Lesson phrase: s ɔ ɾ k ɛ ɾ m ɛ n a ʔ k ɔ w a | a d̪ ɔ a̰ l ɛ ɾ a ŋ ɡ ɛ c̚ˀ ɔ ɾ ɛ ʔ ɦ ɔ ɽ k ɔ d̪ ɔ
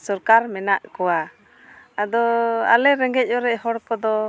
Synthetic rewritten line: s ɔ ɾ k a ɾ m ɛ n a ʔ k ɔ w a | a d̪ ɔ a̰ l ɛ ɾ ɛ ŋ ɡ ɛ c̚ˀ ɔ ɾ ɛ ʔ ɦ ɔ ɽ k ɔ d̪ ɔ